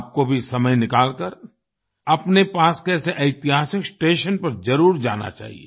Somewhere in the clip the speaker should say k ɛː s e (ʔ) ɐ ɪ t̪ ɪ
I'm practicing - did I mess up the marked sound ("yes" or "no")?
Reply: no